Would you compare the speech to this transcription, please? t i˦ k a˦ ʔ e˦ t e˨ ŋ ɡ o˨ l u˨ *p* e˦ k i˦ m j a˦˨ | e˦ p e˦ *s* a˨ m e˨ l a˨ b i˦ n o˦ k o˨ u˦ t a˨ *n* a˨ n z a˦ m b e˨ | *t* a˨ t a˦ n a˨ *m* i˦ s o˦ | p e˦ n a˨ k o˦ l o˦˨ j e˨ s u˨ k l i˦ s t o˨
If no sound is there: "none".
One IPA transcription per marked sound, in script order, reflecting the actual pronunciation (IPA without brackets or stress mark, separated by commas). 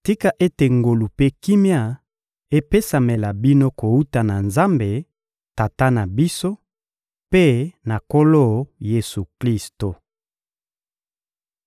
p, s, n, t, b